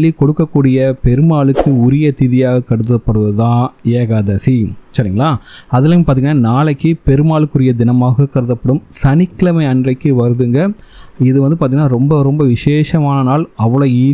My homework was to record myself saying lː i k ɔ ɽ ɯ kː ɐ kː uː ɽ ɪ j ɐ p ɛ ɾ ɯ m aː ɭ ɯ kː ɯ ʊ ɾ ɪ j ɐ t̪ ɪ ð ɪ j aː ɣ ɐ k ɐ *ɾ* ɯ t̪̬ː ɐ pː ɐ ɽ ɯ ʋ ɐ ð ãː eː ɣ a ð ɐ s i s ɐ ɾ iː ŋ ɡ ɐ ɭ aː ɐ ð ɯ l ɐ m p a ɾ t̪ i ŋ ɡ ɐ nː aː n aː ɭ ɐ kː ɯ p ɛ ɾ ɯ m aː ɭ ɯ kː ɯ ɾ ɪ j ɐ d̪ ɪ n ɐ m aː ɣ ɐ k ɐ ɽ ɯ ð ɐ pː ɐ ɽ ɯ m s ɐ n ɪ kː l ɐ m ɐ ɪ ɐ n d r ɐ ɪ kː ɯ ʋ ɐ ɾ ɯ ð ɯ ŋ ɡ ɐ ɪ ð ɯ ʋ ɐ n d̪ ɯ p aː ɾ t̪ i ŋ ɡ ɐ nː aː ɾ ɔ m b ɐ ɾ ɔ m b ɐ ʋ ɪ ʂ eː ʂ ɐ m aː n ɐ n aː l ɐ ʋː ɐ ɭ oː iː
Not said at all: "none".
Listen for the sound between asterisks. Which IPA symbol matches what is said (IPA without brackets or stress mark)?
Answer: ɽ